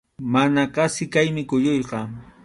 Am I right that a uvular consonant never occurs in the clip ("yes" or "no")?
no